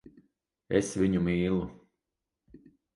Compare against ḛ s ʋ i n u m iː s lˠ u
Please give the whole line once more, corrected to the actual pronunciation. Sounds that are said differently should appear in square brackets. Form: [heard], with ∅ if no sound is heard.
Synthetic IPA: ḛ s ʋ i [ɲ] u m iː [∅] lˠ u